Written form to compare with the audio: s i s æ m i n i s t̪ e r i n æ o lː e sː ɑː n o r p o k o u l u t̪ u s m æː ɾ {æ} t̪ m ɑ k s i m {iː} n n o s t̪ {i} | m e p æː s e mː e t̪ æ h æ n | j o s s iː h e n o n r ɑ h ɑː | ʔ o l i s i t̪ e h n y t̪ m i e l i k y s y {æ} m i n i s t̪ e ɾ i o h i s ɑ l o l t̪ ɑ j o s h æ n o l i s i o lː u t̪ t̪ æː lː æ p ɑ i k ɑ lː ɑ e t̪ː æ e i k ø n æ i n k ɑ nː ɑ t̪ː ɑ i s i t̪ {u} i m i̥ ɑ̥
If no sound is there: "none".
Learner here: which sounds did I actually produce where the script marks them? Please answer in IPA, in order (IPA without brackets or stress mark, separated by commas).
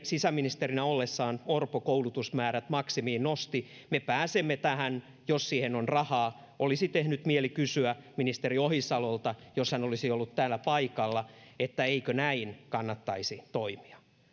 æ, iː, i, æ, o